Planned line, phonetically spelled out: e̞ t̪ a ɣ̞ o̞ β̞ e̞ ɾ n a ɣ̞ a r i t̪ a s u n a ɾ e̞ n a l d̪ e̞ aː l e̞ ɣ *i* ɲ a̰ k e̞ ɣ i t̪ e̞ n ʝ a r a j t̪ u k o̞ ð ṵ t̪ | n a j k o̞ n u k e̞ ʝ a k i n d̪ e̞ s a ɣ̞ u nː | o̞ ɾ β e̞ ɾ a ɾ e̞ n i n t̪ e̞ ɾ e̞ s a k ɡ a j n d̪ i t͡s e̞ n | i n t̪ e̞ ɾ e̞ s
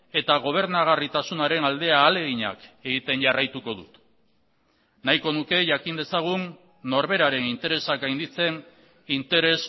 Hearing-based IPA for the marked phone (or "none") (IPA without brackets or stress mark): i